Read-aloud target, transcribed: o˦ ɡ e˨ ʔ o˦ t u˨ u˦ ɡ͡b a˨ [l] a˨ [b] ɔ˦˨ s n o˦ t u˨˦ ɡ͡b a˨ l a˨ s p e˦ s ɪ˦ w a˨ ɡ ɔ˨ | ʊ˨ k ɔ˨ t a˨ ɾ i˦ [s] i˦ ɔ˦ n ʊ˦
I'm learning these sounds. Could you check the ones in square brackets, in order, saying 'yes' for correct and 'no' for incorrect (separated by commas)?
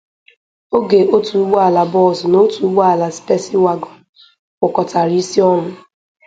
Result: yes, yes, yes